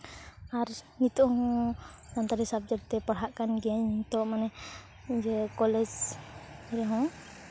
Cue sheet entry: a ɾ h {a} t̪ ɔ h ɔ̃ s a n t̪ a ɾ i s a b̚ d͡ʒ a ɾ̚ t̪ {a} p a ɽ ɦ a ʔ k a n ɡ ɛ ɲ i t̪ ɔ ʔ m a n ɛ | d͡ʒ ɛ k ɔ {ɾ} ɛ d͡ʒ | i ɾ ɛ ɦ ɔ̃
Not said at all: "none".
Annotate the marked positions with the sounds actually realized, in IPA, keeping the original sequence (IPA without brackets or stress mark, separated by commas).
i, ɛ, l